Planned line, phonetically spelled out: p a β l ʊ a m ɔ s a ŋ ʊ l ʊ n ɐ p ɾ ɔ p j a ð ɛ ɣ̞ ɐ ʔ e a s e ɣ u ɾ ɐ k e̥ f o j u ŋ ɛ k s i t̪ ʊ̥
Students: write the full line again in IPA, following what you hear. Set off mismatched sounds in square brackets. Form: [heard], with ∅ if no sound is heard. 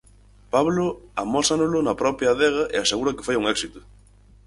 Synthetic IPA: p a β l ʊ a m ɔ s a [n] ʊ l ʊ n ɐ p ɾ ɔ p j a ð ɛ ɣ̞ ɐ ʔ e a s e ɣ u ɾ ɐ k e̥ f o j u ŋ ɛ k s i t̪ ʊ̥